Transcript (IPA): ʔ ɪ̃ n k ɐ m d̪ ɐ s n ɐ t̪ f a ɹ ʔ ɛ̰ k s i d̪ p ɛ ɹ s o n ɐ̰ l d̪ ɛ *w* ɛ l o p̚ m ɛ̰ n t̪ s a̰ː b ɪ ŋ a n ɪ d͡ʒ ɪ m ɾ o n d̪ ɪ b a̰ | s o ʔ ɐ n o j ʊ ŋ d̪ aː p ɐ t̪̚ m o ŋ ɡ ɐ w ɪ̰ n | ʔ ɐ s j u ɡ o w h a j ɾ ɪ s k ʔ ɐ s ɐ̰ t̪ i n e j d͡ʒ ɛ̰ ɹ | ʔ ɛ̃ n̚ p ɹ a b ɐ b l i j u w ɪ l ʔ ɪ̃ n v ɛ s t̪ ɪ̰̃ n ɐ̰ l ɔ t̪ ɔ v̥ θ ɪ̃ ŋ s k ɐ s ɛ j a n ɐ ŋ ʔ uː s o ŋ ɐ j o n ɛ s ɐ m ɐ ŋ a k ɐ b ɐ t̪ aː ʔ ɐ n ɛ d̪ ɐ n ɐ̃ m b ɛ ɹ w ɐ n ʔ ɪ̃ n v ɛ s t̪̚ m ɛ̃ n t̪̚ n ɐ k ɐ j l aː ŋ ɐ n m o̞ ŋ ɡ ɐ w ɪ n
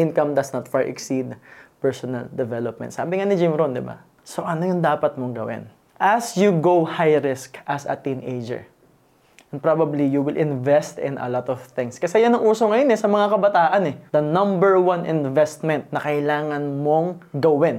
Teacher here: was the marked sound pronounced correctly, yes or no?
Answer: no